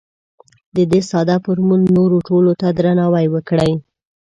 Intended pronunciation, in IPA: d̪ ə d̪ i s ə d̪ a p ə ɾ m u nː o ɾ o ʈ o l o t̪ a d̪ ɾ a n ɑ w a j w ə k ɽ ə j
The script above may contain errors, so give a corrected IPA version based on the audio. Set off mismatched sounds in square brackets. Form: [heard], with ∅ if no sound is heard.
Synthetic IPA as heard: d̪ ə d̪ [e] s [ɑ] d̪ a p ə ɾ m u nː o ɾ o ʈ o l o t̪ a d̪ ɾ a n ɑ w a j w ə k ɽ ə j